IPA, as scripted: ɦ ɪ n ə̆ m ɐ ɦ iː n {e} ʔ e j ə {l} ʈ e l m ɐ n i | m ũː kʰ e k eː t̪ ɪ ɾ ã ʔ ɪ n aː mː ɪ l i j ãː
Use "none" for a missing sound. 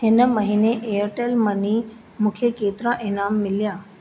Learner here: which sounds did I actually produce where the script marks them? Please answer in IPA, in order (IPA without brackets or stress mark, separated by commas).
e, ɾ